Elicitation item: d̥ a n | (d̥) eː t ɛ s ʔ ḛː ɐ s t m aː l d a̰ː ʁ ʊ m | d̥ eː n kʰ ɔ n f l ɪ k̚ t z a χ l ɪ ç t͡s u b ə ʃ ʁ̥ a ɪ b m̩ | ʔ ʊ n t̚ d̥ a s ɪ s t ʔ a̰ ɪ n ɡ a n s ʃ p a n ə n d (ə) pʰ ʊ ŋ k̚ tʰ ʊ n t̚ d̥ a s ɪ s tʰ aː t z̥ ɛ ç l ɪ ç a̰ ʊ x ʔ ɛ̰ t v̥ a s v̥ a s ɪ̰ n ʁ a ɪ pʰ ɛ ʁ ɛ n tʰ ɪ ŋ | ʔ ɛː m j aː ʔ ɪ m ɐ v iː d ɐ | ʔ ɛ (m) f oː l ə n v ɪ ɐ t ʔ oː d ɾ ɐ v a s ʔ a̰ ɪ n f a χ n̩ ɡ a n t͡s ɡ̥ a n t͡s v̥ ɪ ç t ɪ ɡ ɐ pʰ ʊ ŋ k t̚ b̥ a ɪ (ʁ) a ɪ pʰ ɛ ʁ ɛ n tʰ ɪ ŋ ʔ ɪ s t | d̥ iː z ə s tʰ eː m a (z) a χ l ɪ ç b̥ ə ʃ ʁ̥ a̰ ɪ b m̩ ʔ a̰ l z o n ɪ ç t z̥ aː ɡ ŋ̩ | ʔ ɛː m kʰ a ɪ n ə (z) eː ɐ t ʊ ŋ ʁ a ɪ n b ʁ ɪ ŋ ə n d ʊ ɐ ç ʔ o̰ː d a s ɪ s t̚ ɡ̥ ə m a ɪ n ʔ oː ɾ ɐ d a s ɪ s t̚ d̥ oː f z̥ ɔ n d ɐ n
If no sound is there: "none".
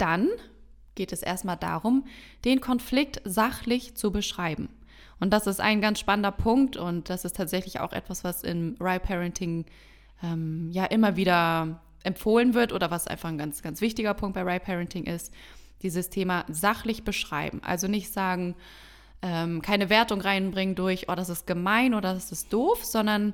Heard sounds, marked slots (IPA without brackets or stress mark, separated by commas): ɡ̥, ɐ, m, ʁ, z, v